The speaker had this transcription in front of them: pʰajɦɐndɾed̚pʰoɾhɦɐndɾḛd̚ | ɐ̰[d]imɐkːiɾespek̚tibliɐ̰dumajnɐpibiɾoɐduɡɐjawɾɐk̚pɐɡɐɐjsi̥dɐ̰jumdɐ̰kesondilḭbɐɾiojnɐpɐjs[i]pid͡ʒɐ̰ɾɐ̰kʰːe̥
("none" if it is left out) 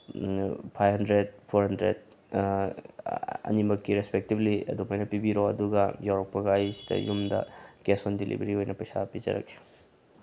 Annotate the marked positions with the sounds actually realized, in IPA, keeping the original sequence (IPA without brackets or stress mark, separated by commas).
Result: n, a